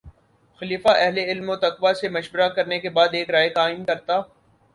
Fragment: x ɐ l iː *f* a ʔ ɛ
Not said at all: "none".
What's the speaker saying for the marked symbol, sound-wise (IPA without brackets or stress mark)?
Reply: f